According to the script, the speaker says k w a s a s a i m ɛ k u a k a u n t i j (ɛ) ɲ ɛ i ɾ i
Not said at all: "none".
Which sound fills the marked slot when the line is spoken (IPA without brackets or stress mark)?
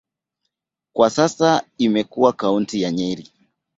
a